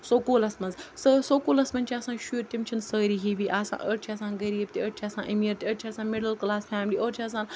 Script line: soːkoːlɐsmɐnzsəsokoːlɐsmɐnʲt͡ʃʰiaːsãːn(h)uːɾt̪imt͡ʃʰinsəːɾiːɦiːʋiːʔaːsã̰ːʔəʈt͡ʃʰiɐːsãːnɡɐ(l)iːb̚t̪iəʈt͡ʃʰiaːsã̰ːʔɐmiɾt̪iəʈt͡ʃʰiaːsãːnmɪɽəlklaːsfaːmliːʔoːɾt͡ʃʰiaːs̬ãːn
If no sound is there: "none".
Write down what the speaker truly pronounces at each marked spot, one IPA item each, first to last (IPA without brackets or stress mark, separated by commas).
ʃ, ɾ